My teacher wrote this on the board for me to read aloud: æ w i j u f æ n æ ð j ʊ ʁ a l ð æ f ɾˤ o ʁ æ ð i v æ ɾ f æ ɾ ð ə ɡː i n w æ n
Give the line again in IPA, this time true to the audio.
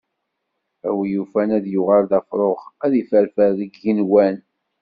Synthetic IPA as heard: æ w i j u f æ n æ ð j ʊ ʁ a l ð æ f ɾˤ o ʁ æ ð i f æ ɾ f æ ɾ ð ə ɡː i n w æ n